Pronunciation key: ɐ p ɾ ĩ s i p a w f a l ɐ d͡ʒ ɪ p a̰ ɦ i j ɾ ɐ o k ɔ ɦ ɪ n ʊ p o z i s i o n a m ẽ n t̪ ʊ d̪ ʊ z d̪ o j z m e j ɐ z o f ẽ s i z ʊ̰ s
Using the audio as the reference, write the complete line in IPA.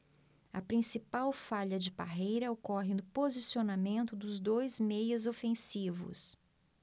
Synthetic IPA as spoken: ɐ p ɾ ĩ s i p a w f a ʎ ɐ d͡ʒ ɪ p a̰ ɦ e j ɾ ɐ o k ɔ ɦ ɪ n ʊ p o z i s i o n a m ẽ n t̪ ʊ d̪ ʊ z d̪ o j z m e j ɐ z o f ẽ s i v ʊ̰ s